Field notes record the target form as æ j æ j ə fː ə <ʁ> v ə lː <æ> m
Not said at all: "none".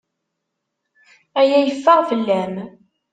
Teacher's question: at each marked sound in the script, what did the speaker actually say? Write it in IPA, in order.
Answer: ʁ, æ

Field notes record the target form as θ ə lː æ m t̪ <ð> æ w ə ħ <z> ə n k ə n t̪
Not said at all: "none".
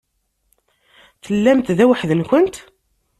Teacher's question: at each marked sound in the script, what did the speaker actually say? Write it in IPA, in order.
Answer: ð, ð

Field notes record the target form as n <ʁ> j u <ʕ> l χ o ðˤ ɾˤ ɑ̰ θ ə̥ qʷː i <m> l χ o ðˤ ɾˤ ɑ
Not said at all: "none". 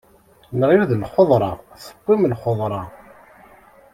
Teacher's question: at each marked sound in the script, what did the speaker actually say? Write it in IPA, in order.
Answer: ʁ, ð, m

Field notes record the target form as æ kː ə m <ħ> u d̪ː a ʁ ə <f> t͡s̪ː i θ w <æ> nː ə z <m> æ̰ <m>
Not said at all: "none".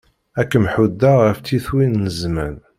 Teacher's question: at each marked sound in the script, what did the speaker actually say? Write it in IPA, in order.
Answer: ħ, f, i, m, n

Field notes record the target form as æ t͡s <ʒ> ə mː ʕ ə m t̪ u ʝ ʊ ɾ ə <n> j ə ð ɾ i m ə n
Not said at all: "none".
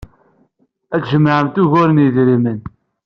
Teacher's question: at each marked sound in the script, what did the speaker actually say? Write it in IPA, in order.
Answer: ʒ, n

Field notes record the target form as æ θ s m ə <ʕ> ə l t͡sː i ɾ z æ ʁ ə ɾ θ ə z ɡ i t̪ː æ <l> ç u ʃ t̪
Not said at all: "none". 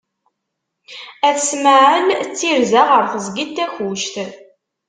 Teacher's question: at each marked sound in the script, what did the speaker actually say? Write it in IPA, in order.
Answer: ʕ, none

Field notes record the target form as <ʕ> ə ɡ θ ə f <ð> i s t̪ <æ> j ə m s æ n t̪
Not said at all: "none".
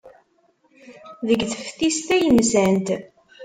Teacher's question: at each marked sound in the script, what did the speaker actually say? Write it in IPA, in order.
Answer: ð, θ, æ

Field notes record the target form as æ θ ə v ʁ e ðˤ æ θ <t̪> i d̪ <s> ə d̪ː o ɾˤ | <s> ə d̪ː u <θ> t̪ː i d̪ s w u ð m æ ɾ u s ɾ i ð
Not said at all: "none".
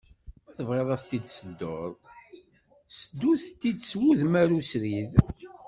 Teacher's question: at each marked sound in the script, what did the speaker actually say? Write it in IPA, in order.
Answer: t̪, s, s, θ

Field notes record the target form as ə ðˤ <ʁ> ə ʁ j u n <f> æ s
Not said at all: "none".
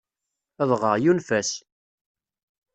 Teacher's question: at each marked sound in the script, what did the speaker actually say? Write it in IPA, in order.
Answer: ʁ, f

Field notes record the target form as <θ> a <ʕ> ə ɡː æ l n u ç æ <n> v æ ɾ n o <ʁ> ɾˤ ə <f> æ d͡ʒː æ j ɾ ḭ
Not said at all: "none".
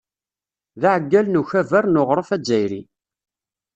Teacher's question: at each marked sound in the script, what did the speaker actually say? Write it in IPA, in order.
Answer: ð, ʕ, none, ʁ, f

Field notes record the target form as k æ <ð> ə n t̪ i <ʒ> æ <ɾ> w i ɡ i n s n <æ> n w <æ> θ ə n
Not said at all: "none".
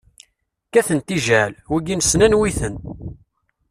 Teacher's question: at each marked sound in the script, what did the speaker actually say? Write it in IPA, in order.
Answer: θ, ʒ, l, æ, i

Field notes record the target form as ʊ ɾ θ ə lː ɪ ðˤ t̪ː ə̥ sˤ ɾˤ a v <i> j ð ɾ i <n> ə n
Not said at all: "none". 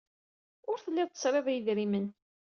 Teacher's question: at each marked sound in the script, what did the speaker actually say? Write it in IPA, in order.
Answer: æ, m

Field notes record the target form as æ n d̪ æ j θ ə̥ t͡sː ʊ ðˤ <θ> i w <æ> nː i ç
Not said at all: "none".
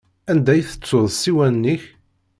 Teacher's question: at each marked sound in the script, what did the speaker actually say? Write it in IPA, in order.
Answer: s, æ

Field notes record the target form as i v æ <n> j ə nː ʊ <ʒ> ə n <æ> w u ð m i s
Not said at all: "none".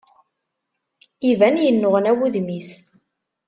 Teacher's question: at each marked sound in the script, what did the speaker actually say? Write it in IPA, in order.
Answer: n, ʁ, æ

